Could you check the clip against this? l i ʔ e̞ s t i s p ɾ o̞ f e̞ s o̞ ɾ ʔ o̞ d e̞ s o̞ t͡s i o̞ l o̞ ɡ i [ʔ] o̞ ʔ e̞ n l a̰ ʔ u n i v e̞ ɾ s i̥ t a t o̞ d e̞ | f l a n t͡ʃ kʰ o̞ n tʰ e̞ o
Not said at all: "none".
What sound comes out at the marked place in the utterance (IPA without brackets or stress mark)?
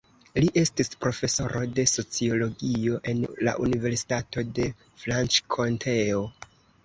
none